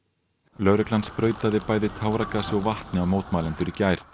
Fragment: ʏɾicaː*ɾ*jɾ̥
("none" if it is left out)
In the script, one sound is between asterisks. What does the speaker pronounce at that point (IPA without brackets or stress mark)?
none